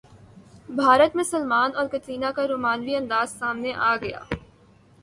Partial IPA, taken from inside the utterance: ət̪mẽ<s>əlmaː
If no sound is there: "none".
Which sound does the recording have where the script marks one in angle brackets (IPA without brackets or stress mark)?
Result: s